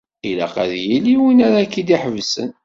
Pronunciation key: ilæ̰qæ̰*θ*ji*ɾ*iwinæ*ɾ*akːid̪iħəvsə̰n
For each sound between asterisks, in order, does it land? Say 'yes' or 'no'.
no, no, yes

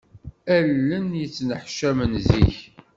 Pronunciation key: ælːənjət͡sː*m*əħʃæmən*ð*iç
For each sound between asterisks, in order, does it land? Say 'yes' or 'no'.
no, no

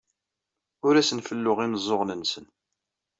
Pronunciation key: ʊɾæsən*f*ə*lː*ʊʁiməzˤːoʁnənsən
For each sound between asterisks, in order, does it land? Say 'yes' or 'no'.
yes, yes

